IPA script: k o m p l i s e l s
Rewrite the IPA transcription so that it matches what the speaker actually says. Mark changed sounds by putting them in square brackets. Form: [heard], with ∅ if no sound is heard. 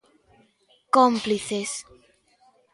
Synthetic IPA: k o m p l i [θ] e [∅] s